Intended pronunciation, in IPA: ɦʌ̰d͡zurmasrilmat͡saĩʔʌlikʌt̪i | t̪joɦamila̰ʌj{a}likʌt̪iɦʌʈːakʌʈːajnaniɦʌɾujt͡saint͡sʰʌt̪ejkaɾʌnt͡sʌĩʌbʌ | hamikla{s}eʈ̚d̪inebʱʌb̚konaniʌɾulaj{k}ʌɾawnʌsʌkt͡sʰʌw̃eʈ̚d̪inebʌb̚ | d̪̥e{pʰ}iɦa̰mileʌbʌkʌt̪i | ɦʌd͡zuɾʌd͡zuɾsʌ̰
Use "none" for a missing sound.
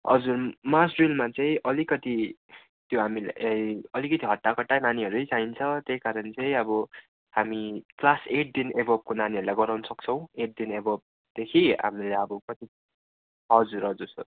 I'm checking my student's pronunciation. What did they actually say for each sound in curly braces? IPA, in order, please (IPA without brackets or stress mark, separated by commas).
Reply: ʌ, s, ɡ, kʰ